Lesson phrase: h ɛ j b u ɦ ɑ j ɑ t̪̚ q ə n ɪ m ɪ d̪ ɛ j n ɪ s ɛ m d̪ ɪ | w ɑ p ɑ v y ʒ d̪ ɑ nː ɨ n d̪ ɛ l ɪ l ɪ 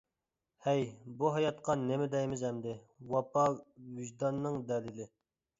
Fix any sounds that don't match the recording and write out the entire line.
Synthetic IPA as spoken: h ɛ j b u ɦ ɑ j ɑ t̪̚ q ɑ n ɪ m ɪ d̪ ɛ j m ɪ z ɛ m d̪ ɪ | w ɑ p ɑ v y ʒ d̪ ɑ nː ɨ ŋ d̪ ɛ l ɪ l ɪ